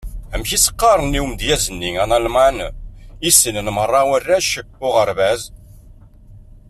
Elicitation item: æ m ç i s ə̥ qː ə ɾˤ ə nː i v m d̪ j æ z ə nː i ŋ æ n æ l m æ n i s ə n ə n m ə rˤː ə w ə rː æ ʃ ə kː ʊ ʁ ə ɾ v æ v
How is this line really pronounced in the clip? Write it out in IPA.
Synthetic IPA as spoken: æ m ç i s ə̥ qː ɑ ɾˤ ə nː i w m d̪ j æ z ə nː i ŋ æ n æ l m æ n i s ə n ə n m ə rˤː ɑ w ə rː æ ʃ ə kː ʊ ʁ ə ɾ v æ z